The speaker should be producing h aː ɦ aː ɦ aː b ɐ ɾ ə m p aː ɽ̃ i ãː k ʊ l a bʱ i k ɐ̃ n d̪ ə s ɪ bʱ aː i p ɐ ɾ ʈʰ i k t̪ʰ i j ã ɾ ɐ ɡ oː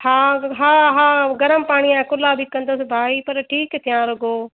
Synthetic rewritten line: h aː ɦ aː ɦ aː ɡ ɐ ɾ ə m p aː ɽ̃ i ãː k ʊ l a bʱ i k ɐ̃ n d̪ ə s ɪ bʱ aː i p ɐ ɾ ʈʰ iː k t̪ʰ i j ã ɾ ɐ ɡ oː